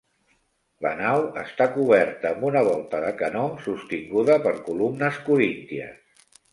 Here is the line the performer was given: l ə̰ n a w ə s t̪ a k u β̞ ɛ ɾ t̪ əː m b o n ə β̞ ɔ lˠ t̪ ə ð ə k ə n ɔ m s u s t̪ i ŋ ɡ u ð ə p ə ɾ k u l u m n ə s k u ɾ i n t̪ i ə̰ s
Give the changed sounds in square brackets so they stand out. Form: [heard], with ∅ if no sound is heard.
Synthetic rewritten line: l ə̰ n a w ə s t̪ a k u β̞ ɛ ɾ t̪ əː m b [u] n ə β̞ ɔ lˠ t̪ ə ð ə k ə n ɔ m s u s t̪ i ŋ ɡ u ð ə p ə ɾ k u l u m n ə s k u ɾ i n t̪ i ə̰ s